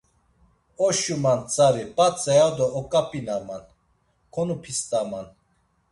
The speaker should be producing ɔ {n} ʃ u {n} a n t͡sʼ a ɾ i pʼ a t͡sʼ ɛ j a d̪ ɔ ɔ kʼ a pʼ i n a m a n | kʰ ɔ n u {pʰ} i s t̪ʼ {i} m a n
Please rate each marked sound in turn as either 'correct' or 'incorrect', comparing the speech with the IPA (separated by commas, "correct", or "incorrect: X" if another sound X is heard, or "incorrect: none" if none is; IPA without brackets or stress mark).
incorrect: none, incorrect: m, correct, incorrect: a